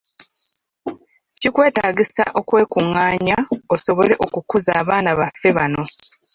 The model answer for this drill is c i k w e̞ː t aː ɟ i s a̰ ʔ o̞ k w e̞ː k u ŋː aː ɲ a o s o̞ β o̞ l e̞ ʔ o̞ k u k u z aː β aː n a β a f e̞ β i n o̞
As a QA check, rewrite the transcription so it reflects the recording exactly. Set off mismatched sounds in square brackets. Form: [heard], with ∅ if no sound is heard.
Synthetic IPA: c i k w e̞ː t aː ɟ i s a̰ ʔ o̞ k w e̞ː k u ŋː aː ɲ a o s o̞ β o̞ l e̞ ʔ o̞ k u k u z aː β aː n a β a f e̞ β [a] n o̞